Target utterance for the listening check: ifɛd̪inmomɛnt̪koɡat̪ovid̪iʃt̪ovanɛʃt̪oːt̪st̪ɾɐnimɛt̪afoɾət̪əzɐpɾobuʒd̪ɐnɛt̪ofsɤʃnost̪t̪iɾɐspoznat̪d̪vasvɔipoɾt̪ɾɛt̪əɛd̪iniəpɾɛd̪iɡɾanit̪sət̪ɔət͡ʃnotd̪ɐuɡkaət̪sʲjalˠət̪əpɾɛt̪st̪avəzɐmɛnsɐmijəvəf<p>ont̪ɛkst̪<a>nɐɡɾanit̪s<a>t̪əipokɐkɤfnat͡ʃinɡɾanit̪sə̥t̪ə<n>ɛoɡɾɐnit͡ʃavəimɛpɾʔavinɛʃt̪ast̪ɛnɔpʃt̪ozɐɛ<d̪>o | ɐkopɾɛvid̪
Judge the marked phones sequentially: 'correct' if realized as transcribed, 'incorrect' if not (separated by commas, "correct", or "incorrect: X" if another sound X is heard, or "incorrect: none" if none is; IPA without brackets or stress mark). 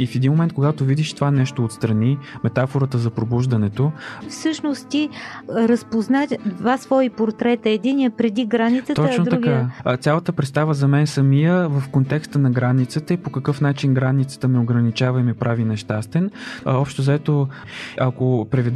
incorrect: k, incorrect: ə, incorrect: ə, incorrect: m, incorrect: t̪